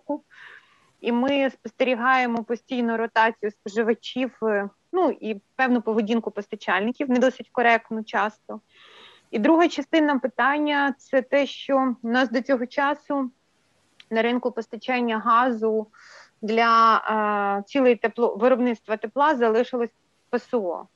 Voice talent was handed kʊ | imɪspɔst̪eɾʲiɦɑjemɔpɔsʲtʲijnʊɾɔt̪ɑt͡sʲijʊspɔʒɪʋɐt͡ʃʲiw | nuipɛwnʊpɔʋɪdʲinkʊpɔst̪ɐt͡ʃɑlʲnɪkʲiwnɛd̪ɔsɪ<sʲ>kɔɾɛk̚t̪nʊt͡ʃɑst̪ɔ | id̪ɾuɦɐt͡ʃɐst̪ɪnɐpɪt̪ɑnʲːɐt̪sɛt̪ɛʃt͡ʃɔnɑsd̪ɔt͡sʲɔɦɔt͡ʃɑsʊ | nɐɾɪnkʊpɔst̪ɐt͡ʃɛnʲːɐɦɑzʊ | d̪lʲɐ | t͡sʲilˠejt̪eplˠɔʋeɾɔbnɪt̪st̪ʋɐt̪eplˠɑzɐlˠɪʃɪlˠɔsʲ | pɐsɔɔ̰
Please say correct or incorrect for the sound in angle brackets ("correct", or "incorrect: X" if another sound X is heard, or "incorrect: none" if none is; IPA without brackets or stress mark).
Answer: incorrect: tʲ